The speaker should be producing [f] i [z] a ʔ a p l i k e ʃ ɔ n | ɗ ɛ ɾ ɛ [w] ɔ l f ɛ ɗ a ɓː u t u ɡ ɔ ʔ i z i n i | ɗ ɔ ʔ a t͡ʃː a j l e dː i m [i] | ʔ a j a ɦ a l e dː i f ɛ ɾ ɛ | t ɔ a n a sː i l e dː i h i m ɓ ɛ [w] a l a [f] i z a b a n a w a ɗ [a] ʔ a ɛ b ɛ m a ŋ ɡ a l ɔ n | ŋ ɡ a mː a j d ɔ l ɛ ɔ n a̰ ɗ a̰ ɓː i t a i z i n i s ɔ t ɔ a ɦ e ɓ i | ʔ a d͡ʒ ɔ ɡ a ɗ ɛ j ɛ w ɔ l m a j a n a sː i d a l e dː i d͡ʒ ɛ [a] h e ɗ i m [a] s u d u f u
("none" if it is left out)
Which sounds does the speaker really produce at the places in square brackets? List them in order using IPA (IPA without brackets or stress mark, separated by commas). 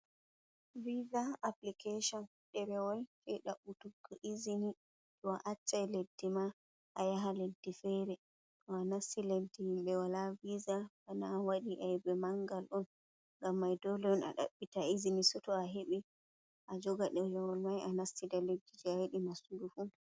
v, z, w, a, w, v, i, a, a